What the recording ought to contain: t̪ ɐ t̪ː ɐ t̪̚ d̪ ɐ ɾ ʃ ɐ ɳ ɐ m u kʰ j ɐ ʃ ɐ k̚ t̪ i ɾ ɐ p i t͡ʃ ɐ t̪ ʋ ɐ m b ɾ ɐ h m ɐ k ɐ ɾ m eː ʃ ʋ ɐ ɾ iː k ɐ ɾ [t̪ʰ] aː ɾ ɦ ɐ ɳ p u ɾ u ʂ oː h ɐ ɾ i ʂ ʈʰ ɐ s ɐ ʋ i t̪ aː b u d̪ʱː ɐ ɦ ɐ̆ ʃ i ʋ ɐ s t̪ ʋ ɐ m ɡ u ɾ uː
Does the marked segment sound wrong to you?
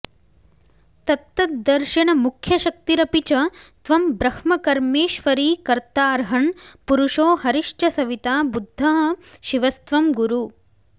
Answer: yes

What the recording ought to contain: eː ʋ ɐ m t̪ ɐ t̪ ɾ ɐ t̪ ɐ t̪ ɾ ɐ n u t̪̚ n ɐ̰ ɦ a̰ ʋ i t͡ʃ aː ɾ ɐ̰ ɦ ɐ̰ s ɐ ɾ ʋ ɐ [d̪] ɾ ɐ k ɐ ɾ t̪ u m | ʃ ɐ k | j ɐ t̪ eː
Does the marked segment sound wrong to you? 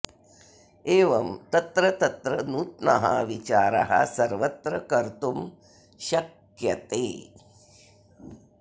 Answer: yes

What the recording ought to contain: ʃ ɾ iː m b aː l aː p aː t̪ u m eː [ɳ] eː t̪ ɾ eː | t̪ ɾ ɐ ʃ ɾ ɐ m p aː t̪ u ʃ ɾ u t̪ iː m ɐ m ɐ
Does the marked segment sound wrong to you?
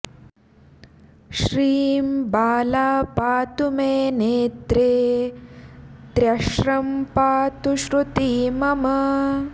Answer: yes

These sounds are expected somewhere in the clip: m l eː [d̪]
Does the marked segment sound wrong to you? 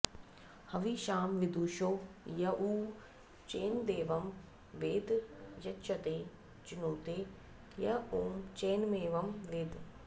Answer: no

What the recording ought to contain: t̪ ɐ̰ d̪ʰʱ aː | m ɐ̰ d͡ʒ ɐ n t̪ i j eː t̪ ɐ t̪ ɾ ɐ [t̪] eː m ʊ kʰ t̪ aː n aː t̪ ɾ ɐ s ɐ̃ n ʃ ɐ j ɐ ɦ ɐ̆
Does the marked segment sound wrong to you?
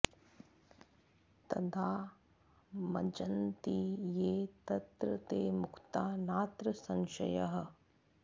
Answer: no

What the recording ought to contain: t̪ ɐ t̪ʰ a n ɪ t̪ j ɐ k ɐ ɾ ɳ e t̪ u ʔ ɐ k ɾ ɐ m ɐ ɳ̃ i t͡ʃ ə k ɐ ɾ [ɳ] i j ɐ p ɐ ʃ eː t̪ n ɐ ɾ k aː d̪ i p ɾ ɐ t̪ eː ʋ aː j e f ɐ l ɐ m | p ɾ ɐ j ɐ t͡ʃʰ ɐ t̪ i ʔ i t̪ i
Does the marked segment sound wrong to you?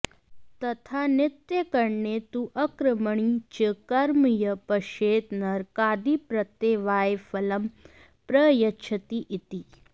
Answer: yes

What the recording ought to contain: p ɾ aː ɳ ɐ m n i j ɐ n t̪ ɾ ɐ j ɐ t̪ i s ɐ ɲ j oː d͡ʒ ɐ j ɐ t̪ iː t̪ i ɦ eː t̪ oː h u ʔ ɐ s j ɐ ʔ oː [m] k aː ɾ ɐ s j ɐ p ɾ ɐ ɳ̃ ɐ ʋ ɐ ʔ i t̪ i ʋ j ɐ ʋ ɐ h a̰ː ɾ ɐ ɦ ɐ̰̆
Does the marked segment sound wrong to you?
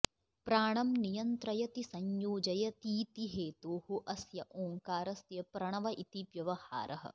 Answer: yes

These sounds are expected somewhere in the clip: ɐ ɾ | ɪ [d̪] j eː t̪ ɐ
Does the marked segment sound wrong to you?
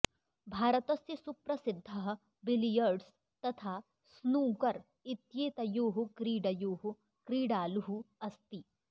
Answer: yes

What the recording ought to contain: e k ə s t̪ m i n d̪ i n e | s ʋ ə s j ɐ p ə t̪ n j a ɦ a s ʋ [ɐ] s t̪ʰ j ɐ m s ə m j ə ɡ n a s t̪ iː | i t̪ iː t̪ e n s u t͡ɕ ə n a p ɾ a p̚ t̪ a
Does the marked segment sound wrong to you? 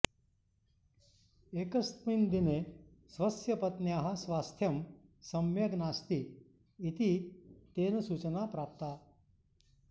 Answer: yes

